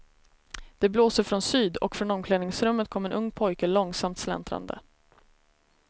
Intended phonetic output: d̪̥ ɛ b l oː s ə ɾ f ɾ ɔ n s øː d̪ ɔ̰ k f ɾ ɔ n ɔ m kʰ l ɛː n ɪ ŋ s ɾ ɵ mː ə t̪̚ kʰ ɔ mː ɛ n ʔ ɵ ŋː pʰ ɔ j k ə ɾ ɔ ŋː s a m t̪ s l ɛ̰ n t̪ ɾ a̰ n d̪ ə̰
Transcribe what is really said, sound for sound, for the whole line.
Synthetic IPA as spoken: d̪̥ ɛ b l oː s ə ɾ f ɾ ɔ n s yː d̪ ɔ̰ k f ɾ ɔ n ɔ m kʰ l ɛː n ɪ ŋ s ɾ ɵ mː ə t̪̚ kʰ ɔ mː ɛ n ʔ ɵ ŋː pʰ ɔ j k ə l ɔ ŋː s a m t̪ s l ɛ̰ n t̪ ɾ a̰ n d̪ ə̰